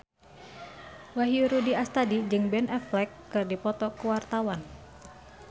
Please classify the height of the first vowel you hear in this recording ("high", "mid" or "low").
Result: low